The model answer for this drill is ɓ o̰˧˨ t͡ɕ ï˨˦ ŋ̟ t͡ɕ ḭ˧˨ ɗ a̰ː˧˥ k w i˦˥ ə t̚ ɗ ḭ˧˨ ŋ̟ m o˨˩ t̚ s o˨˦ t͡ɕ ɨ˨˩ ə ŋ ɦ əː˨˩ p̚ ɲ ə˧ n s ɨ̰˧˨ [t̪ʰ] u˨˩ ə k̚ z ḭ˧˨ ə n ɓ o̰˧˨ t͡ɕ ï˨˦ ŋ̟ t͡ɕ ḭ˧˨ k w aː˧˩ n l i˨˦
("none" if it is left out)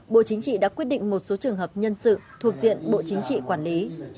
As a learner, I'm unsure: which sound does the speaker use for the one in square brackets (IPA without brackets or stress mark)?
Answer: t̪ʰ